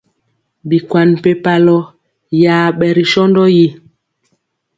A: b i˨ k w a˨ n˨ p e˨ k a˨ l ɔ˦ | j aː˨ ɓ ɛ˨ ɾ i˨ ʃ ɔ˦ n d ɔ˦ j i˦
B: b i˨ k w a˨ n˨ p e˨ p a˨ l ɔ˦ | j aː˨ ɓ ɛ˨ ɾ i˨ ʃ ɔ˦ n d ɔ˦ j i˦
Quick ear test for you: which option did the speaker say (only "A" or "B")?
B